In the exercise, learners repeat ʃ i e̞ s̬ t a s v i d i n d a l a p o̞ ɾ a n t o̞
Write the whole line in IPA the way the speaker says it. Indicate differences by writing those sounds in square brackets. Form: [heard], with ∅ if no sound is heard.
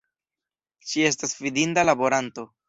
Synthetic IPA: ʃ i e̞ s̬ t a s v i d i n d a l a [b] o̞ ɾ a n t o̞